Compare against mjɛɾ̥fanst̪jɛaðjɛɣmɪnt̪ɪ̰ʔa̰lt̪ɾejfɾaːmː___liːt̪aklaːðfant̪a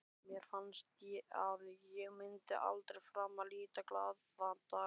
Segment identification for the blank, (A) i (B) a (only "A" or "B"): B